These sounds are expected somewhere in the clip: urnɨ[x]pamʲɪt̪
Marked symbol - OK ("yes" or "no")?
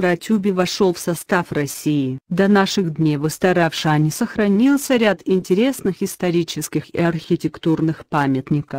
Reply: yes